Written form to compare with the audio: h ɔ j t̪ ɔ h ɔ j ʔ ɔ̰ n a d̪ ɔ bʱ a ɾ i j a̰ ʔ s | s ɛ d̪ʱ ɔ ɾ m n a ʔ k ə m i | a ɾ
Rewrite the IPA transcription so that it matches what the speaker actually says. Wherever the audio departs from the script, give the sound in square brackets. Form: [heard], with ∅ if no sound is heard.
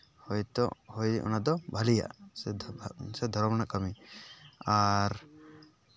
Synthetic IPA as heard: h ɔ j t̪ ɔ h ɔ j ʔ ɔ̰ n a d̪ ɔ bʱ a [l] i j a̰ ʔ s | s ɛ d̪ʱ ɔ ɾ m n a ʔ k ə m i | a ɾ